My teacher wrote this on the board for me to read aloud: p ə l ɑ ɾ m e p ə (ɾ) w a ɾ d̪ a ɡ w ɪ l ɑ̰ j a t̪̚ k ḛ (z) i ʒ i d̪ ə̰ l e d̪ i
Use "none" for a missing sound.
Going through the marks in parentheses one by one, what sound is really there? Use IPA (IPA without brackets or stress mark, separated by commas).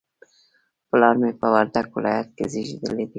none, z